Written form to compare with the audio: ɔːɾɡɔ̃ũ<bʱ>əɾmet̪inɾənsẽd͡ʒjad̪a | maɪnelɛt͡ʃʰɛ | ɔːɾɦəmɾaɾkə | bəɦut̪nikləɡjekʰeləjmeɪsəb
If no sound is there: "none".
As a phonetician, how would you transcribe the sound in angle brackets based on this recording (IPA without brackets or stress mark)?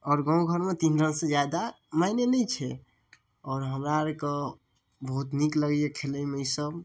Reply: ɡʱ